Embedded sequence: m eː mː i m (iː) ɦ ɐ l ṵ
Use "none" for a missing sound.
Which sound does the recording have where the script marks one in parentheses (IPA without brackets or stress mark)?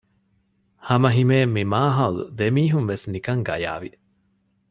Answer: aː